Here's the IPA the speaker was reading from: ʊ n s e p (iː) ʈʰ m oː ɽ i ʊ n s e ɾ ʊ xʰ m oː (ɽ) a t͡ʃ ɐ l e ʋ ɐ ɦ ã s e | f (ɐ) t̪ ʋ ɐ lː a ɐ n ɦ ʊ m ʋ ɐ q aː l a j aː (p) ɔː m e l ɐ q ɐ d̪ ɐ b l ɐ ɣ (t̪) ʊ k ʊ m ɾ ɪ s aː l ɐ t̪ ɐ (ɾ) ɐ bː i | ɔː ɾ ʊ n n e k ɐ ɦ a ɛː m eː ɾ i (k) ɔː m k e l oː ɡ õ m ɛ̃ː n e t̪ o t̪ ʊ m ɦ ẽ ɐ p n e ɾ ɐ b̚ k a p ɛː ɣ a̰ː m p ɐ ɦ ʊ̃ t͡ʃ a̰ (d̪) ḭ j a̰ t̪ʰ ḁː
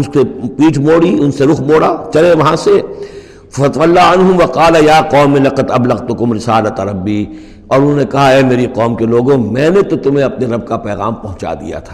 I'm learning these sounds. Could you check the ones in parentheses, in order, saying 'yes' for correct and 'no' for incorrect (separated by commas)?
yes, yes, yes, no, yes, yes, no, yes